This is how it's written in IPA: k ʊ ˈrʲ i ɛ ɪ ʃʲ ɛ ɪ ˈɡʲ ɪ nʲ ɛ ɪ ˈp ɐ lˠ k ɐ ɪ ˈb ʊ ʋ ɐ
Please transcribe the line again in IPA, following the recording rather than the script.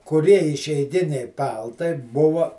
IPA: k ʊ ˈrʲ i ɛ ɪ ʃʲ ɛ ɪ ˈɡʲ ɪ nʲ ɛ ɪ ˈp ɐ lˠ t ɐ ɪ ˈb ʊ ʋ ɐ